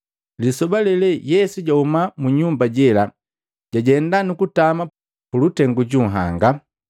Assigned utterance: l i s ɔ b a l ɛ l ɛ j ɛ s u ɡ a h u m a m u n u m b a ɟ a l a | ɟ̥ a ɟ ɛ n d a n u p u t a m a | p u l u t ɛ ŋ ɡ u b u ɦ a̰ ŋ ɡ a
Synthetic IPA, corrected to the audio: l i s ɔ b a l ɛ l ɛ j ɛ s u ɟ a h u m a m u ɲ u m b a ɟ ɛ l a | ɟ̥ a ɟ ɛ n d a n u k u t a m a | p u l u t ɛ ŋ ɡ u ɟ u ɦ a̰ ŋ ɡ a